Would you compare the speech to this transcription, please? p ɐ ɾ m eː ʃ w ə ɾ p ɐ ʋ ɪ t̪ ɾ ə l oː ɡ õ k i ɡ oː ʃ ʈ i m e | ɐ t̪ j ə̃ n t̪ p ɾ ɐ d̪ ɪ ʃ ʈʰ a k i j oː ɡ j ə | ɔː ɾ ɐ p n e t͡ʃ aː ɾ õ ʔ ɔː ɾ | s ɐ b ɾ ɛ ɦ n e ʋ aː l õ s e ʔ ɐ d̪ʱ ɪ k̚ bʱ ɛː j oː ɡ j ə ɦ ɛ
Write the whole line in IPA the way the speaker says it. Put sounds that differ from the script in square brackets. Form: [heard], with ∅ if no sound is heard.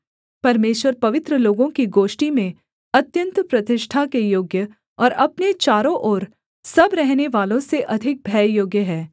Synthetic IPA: p ɐ ɾ m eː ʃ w ə ɾ p ɐ ʋ ɪ t̪ ɾ ə l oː ɡ õ k i ɡ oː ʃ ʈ i m [ẽ] | ɐ t̪ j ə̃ n t̪ p ɾ ɐ [t̪] ɪ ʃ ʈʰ a k [e] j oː ɡ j ə | ɔː ɾ ɐ p n e t͡ʃ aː ɾ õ ʔ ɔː ɾ | s ɐ b ɾ ɛ ɦ n e ʋ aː l õ s e ʔ ɐ d̪ʱ ɪ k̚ bʱ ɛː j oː ɡ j ə ɦ [ɛː]